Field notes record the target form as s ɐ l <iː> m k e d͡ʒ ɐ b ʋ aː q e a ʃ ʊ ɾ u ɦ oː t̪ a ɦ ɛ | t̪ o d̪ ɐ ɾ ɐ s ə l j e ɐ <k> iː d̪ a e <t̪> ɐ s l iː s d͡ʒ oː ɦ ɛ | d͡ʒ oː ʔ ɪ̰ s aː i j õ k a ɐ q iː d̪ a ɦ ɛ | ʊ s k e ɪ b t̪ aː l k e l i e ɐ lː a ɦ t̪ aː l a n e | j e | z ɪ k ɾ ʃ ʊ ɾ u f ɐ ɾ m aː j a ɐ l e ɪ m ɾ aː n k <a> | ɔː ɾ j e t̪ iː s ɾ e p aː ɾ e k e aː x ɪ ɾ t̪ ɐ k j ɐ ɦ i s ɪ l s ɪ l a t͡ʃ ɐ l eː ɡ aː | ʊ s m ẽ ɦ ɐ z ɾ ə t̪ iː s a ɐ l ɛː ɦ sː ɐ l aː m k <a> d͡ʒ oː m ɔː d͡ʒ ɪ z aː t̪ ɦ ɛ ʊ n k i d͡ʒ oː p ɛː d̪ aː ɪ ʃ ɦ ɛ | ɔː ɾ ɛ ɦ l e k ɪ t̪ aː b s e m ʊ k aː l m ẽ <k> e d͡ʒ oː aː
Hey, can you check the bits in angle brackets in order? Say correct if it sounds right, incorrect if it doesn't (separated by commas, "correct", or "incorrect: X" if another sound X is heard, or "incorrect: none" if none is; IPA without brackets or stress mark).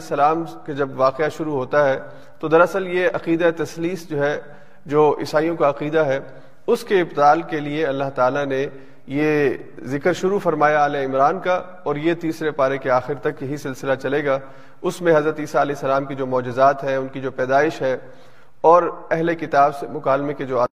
incorrect: aː, incorrect: q, correct, correct, incorrect: i, correct